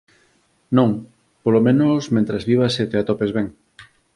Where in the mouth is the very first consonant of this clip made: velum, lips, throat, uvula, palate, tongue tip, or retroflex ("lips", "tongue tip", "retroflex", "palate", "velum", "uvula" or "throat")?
tongue tip